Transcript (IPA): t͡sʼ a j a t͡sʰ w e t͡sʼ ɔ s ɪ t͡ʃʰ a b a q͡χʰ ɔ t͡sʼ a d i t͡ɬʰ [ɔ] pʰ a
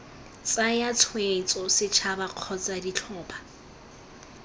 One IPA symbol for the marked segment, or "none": ɔː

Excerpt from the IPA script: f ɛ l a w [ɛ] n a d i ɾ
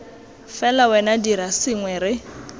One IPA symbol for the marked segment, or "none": ɛ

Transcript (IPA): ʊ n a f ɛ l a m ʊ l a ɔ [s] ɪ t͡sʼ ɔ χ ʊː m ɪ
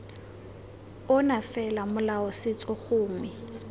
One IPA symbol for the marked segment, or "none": s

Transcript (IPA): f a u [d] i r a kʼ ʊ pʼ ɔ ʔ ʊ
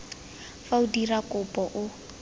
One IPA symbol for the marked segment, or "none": d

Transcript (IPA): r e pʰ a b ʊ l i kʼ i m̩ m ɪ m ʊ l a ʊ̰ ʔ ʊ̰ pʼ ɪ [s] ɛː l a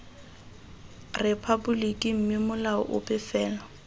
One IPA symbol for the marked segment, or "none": f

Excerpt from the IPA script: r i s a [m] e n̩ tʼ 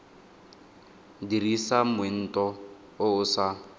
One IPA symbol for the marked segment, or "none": m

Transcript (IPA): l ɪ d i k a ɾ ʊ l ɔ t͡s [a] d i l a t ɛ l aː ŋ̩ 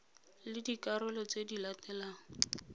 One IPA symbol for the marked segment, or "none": e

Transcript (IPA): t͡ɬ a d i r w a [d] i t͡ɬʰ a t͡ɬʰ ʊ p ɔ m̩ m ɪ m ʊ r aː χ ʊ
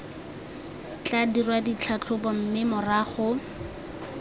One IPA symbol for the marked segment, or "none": d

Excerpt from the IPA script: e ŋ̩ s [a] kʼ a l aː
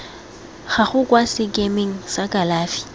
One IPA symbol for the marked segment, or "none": a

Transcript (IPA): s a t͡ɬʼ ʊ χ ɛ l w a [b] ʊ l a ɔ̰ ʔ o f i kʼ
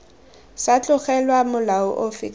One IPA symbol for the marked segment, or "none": m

